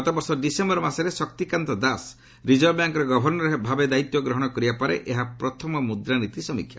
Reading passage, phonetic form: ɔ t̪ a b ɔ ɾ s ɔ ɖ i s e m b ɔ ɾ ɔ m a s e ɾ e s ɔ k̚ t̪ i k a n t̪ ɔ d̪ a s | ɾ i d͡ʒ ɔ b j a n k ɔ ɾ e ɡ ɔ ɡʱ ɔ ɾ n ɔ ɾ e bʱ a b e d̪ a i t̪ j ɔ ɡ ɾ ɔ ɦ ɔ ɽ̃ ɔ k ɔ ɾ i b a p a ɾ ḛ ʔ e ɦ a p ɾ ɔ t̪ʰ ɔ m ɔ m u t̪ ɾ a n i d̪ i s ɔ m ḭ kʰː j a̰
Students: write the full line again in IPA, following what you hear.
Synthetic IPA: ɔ t̪ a b ɔ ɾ s ɔ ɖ i s e m b ɔ ɾ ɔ m a s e ɾ e s ɔ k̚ t̪ i k a n t̪ ɔ d̪ a s | ɾ i d͡ʒ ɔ b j a ŋ k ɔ ɾ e ɡ ɔ bʱ ɔ ɾ n ɔ ɾ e bʱ a b e d̪ a i t̪ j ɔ ɡ ɾ ɔ ɦ ɔ ɽ̃ ɔ k ɔ ɾ i b a p a ɾ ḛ ʔ e ɦ a p ɾ ɔ t̪ʰ ɔ m ɔ m u d̪ ɾ a n i t̪ i s ɔ m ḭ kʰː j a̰

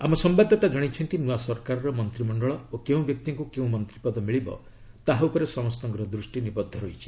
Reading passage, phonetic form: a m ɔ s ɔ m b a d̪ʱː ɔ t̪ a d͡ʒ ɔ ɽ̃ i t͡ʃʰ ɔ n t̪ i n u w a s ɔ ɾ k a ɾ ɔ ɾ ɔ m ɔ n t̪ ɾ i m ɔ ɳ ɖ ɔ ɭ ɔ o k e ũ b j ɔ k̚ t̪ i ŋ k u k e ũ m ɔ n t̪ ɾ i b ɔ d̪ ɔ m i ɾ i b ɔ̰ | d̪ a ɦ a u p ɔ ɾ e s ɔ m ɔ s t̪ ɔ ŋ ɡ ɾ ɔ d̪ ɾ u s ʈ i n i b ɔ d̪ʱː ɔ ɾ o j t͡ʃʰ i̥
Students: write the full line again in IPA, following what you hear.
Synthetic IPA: a m ɔ s ɔ m b a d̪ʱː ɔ t̪ a d͡ʒ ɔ ɽ̃ i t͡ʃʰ ɔ n t̪ i n u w a s ɔ ɾ k a ɾ ɔ ɾ ɔ m ɔ n t̪ ɾ i m ɔ ɳ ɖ ɔ ɭ ɔ o k e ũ b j ɔ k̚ t̪ i ŋ k u k e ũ m ɔ n t̪ ɾ i p ɔ d̪ ɔ m i ɭ i b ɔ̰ | t̪ a ɦ a u p ɔ ɾ e s ɔ m ɔ s t̪ ɔ ŋ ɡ ɾ ɔ d̪ ɾ u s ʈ i n i b ɔ d̪ʱː ɔ ɾ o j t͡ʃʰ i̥

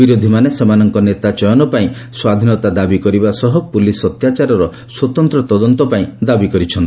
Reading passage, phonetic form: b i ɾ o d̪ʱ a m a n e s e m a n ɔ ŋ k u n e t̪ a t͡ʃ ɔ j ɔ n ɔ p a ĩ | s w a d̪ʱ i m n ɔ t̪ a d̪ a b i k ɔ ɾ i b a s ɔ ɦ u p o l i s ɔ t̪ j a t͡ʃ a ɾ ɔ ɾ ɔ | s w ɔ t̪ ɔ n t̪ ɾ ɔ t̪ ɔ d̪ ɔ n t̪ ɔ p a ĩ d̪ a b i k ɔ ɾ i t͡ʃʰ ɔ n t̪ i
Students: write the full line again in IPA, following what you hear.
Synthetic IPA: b i ɾ o d̪ʱ i m a n e s e m a n ɔ ŋ k ɔ n e t̪ a t͡ʃ ɔ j ɔ n ɔ p a ĩ | s w a d̪ʱ i n ɔ t̪ a d̪ a b i k ɔ ɾ i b a s ɔ ɦ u p u l i s ɔ t̪ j a t͡ʃ a ɾ ɔ ɾ ɔ | s w ɔ t̪ ɔ n t̪ ɾ ɔ t̪ ɔ d̪ ɔ n t̪ ɔ p a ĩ d̪ a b i k ɔ ɾ i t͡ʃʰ ɔ n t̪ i

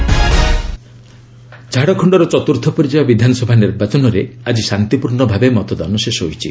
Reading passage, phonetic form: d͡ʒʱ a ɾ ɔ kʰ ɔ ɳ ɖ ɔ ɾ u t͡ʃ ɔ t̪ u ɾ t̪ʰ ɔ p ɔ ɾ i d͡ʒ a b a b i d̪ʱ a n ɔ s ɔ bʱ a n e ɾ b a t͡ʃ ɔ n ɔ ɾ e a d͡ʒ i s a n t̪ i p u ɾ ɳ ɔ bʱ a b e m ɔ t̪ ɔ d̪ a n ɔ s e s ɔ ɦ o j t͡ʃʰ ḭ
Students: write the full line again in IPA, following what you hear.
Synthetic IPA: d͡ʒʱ a ɽ ɔ kʰ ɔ ɳ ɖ ɔ ɾ ɔ t͡ʃ ɔ t̪ u ɾ t̪ʰ ɔ p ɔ ɾ i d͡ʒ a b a b i d̪ʱ a n ɔ s ɔ bʱ a n i ɾ b a t͡ʃ ɔ n ɔ ɾ e a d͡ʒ i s a n t̪ i p u ɾ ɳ ɔ bʱ a b e m ɔ t̪ ɔ d̪ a n ɔ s e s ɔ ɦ o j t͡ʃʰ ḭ

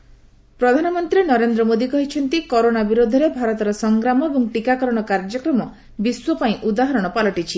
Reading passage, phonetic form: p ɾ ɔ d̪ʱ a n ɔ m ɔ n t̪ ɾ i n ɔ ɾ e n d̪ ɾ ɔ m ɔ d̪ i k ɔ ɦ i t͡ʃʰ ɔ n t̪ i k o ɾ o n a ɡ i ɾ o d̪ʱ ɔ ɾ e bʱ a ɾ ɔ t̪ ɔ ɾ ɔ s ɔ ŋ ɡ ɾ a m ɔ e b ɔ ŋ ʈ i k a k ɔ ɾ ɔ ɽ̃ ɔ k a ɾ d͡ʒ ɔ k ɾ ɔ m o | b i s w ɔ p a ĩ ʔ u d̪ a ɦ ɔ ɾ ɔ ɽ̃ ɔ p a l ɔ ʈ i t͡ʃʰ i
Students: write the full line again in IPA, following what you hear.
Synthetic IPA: p ɾ ɔ d̪ʱ a n ɔ m ɔ n t̪ ɾ i n ɔ ɾ e n d̪ ɾ ɔ m o d̪ i k ɔ ɦ i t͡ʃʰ ɔ n t̪ i k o ɾ o n a b i ɾ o d̪ʱ ɔ ɾ e bʱ a ɾ ɔ t̪ ɔ ɾ ɔ s ɔ ŋ ɡ ɾ a m ɔ e b ɔ ŋ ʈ i k a k ɔ ɾ ɔ ɽ̃ ɔ k a ɾ d͡ʒ ɔ k ɾ ɔ m ɔ | b i s w ɔ p a ĩ ʔ u d̪ a ɦ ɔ ɾ ɔ ɽ̃ ɔ p a l ɔ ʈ i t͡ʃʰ i

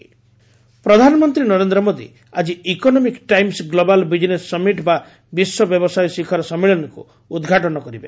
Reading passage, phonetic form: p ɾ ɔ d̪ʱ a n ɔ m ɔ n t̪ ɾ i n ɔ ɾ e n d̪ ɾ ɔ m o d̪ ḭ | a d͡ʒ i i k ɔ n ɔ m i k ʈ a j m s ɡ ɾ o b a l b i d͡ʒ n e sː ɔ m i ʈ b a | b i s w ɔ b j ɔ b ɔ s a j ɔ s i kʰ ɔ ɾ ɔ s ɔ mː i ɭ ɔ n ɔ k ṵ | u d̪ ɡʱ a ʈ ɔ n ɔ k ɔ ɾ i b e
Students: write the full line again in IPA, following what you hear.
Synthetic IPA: p ɾ ɔ d̪ʱ a n ɔ m ɔ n t̪ ɾ i n ɔ ɾ e n d̪ ɾ ɔ m o d̪ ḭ | a d͡ʒ i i k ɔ n ɔ m i k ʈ a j m s ɡ l o b a l b i d͡ʒ n e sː ɔ m i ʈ b a | b i s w ɔ b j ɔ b ɔ s a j ɔ s i kʰ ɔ ɾ ɔ s ɔ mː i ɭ ɔ n ɔ k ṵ | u d̪ ɡʱ a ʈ ɔ n ɔ k ɔ ɾ i b e

